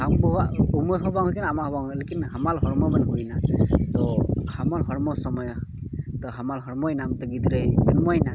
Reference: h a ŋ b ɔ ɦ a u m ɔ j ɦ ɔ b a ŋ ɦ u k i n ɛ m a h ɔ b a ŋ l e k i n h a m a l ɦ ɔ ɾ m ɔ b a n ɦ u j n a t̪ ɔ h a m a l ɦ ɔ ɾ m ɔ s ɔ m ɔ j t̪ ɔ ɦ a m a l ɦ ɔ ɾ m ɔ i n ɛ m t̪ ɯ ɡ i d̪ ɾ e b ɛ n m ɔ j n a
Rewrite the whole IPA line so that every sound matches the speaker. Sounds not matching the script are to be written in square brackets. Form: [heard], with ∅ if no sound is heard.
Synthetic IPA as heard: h a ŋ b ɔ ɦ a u m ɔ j ɦ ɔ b a ŋ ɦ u k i n [a] m a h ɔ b a ŋ l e k i n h a m a l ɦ ɔ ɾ m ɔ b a n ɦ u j n a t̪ ɔ h a m a l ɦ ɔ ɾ m ɔ s ɔ m ɔ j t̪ ɔ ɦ a m a l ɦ ɔ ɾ m ɔ [j] n [a] m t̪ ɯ ɡ i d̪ ɾ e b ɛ n m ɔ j n a